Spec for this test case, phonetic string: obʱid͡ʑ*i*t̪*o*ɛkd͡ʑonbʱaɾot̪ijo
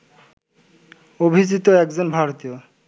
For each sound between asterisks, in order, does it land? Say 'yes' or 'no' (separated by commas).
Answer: yes, yes